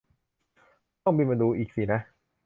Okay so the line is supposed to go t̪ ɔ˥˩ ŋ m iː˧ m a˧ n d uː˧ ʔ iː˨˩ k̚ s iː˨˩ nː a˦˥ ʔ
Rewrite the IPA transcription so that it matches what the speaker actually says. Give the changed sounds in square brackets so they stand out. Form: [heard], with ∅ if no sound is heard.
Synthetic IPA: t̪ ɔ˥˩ ŋ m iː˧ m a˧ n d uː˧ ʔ iː˨˩ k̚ s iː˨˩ [n] a˦˥ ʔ